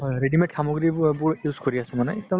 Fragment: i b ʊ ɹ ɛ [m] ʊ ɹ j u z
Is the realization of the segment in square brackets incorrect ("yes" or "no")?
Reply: yes